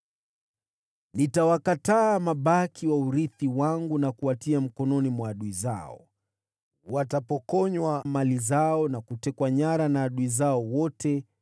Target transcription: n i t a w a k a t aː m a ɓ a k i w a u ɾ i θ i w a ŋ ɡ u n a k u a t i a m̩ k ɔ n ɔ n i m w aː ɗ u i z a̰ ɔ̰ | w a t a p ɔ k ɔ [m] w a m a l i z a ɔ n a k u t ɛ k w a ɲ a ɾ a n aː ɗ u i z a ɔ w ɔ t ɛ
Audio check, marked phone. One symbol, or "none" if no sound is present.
ɲ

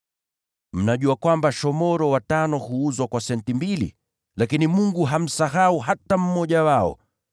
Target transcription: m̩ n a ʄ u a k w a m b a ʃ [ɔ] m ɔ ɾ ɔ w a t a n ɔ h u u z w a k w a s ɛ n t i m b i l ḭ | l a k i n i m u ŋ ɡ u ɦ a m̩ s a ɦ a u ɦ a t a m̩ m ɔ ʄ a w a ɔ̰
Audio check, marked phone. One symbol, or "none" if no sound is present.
ɔ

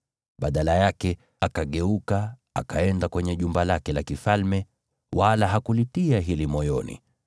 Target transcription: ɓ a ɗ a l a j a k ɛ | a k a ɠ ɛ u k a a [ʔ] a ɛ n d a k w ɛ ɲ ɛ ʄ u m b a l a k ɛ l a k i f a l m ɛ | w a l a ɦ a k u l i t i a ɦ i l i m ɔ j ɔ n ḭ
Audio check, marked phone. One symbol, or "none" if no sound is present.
k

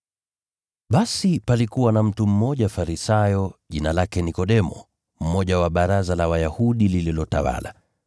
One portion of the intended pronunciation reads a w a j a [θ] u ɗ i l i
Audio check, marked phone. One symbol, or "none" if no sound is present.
h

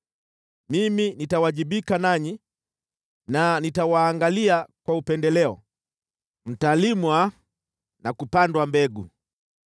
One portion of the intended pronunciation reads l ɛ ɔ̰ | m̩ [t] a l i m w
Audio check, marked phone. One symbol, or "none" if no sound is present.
t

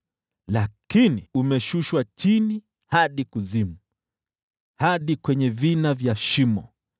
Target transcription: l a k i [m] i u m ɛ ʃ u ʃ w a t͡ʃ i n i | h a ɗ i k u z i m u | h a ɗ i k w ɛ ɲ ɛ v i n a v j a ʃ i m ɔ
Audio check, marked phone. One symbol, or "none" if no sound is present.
n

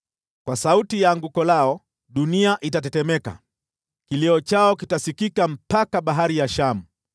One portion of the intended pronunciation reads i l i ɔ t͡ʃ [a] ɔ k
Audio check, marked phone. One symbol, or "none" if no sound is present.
a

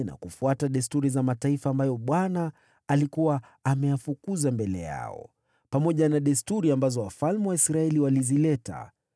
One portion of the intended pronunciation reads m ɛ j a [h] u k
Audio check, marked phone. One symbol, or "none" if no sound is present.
f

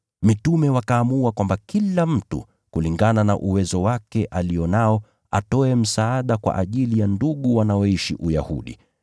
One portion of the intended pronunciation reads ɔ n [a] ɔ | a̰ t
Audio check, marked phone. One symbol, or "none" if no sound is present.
a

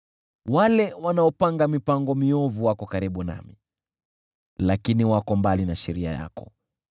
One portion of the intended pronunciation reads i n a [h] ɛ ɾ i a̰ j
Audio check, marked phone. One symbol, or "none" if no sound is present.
ʃ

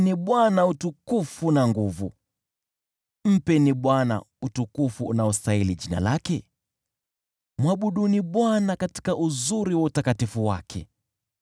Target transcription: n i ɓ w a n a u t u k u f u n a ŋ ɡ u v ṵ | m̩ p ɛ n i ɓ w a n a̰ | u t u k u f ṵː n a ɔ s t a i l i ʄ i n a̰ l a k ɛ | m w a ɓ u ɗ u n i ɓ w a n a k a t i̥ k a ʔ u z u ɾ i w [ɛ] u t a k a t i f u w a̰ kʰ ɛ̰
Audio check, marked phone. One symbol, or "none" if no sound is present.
a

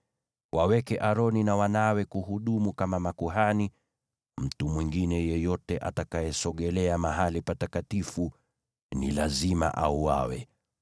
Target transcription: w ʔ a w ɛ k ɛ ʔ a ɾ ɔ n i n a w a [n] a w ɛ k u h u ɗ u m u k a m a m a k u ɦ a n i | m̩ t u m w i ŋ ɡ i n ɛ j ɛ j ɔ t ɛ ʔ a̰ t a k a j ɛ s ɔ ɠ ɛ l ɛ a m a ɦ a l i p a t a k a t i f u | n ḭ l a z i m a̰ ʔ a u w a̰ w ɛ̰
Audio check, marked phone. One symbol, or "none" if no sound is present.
n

